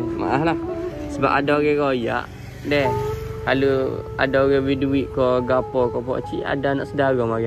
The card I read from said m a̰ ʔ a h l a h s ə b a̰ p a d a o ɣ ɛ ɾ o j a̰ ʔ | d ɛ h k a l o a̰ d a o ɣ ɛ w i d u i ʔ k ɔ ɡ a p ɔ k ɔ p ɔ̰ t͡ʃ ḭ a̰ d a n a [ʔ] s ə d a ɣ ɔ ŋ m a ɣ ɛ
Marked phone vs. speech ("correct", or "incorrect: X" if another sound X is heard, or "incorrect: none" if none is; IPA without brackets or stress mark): correct